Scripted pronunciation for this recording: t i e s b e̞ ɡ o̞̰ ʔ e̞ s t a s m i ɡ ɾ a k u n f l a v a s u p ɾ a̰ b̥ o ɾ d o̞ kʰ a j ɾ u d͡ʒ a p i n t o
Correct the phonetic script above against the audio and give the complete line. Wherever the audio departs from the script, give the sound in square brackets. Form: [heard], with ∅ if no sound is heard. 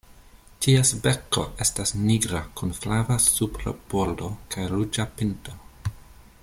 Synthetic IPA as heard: t i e s b e̞ [k] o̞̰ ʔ e̞ s t a s [n] i ɡ ɾ a k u n f l a v a s u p ɾ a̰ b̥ o ɾ d o̞ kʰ a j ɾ u d͡ʒ a p i n t o